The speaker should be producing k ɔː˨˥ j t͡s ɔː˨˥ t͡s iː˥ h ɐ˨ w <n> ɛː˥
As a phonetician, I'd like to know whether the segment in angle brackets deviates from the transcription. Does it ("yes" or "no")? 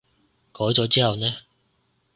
no